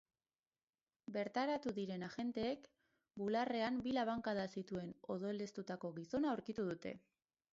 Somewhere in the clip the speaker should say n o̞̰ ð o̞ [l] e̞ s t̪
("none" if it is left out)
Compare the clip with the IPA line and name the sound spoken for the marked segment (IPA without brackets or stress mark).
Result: l